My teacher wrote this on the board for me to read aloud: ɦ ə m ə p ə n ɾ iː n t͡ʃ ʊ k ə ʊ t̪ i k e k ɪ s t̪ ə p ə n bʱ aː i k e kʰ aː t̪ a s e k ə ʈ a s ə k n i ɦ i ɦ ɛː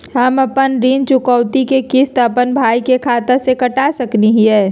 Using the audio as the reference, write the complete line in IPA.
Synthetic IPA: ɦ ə m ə p ə n ɾ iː n t͡ʃ ʊ k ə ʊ t̪ i k e k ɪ s t̪ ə p ə n bʱ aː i k e kʰ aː t̪ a s e k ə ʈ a s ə k n i ɦ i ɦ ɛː